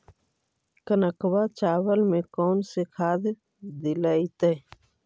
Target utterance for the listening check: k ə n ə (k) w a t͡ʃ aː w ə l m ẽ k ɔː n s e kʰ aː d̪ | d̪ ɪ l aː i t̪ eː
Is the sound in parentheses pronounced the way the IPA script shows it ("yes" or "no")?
yes